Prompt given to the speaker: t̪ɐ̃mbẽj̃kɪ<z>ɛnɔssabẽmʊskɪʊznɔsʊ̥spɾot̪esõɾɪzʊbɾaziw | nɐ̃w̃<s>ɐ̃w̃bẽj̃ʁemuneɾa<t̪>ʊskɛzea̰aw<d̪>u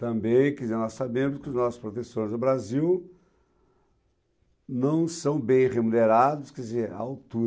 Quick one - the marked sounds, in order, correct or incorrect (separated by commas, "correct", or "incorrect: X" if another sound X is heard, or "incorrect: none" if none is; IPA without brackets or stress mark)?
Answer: correct, correct, incorrect: d̪, incorrect: t̪